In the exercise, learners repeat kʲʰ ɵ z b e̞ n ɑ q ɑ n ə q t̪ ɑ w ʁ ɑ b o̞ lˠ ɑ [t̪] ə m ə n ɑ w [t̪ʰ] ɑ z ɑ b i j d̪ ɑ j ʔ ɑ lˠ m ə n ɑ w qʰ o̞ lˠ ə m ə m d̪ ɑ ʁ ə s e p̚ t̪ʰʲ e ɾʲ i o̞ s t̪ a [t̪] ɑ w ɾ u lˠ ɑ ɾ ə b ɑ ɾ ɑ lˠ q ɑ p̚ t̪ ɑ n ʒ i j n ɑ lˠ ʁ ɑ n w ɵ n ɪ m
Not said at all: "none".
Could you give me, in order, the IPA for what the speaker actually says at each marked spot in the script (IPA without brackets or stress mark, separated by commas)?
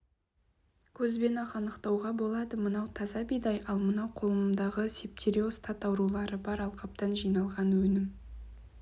d̪, t̪ʰ, t̪